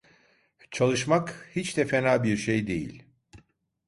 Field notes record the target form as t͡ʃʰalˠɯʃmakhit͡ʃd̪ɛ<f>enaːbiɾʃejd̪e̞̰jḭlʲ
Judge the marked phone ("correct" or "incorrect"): correct